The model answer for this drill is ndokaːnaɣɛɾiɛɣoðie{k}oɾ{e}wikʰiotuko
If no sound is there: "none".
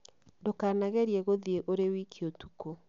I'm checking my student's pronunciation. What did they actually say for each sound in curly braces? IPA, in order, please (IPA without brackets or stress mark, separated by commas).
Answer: ʔ, e